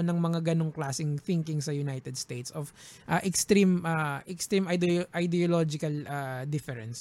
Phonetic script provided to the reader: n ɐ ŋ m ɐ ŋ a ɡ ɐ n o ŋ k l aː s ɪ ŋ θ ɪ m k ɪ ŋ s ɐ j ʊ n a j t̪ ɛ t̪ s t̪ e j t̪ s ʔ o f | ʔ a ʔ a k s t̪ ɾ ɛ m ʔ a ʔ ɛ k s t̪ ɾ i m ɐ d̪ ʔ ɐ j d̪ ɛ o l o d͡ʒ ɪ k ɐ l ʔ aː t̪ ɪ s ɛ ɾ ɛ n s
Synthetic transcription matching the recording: n ɐ ŋ m ɐ ŋ a ɡ ɐ n o ŋ k l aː s ɪ ŋ θ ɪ ŋ k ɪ ŋ s ɐ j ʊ n a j t̪ ɛ d̪ s t̪ e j t̪ s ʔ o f | ʔ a ʔ ɛ k s t̪ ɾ i m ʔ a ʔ ɛ k s t̪ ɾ i m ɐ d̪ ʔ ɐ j d̪ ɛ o l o d͡ʒ ɪ k ɐ l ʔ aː d̪ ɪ f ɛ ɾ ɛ n s